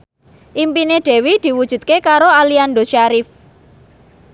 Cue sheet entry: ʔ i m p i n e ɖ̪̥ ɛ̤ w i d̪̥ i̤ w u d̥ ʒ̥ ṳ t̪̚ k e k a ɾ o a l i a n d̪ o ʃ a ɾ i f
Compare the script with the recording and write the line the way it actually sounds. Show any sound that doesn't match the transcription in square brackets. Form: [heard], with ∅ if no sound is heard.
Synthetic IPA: ʔ i m p i n e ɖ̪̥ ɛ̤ w i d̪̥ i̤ w u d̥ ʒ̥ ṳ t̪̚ k e k a ɾ o a l i a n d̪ o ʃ a ɾ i f